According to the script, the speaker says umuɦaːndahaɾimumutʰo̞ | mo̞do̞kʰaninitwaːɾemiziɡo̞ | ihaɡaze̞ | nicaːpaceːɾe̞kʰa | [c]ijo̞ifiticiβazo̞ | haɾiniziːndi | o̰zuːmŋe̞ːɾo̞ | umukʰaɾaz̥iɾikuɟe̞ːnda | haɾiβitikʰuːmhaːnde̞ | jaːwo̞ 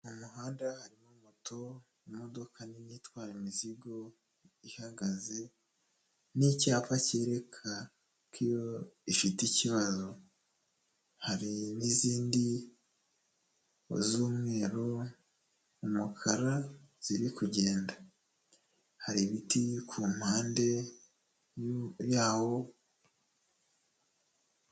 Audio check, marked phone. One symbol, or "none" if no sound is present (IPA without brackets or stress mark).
k